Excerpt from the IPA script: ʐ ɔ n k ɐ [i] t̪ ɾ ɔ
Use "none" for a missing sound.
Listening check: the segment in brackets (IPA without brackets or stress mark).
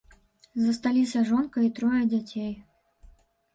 i